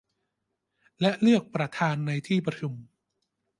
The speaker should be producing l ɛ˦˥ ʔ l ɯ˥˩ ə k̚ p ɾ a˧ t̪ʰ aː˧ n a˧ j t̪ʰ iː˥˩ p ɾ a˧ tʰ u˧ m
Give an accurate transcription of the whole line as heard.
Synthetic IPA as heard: l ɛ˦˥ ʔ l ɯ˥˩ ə k̚ p ɾ a˧ t̪ʰ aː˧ nː a˧ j t̪ʰ iː˥˩ p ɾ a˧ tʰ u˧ m